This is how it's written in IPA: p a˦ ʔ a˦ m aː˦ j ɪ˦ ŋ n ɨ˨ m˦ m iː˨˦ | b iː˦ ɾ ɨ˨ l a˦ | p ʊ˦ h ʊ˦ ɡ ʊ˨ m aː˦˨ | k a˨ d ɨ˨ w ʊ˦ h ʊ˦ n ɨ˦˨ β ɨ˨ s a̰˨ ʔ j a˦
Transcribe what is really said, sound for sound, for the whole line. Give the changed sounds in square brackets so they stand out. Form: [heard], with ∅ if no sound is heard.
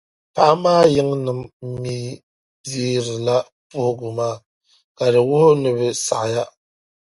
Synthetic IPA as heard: p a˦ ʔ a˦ m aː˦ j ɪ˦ ŋ n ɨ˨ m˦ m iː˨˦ | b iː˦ ɾ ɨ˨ l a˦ | p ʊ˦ h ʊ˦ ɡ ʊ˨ m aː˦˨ | k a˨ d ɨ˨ w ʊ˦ h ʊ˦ n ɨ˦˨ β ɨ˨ s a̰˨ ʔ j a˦